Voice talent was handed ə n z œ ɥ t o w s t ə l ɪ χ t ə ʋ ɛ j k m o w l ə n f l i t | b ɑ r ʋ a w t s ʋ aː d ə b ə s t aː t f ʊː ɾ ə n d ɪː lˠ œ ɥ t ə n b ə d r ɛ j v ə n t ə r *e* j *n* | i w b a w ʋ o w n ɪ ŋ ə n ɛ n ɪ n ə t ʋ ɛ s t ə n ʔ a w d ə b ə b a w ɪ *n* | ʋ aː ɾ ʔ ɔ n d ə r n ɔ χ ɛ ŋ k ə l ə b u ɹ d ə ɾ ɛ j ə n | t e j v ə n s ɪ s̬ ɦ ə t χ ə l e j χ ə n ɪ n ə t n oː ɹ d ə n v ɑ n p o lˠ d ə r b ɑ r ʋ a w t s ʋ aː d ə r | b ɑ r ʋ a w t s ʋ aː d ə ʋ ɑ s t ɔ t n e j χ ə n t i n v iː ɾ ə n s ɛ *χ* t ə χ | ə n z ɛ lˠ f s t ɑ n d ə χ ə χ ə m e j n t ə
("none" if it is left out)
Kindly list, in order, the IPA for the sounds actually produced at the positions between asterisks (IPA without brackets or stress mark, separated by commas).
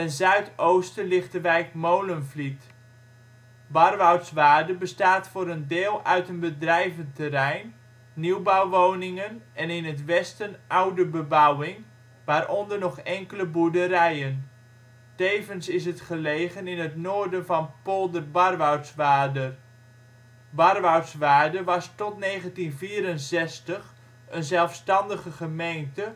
ɛ, nː, ŋ, s